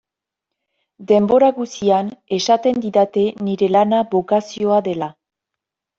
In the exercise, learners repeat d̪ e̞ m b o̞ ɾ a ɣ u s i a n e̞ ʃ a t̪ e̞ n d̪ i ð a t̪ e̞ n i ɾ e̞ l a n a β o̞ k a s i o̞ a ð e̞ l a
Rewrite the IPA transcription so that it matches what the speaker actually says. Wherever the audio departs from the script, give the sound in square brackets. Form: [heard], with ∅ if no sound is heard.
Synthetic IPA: d̪ e̞ m b o̞ ɾ a ɣ u s i a n e̞ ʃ a t̪ e̞ n d̪ i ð a t̪ e̞ n i ɾ e̞ l a n a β o̞ k a s i o̞ a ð e̞ l a